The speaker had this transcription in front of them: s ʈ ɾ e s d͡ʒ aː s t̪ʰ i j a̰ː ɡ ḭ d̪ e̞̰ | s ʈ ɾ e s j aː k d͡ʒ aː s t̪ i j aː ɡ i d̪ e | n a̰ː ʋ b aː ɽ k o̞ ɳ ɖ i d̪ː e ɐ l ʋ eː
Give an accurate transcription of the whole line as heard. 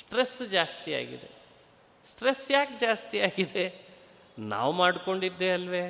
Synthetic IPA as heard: s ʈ ɾ e s d͡ʒ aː s t̪ i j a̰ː ɡ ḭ d̪ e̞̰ | s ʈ ɾ e s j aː k d͡ʒ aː s t̪ i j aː ɡ i d̪ e | n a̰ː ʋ m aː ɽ k o̞ ɳ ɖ i d̪ː e ɐ l ʋ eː